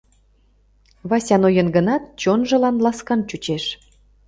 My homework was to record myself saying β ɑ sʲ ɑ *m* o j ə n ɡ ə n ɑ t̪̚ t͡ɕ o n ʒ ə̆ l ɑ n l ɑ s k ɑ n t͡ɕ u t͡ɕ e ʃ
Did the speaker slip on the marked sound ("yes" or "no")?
yes